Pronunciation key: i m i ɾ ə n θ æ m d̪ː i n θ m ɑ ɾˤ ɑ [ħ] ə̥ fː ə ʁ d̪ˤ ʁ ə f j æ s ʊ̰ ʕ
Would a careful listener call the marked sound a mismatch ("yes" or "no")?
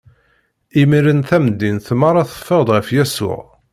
yes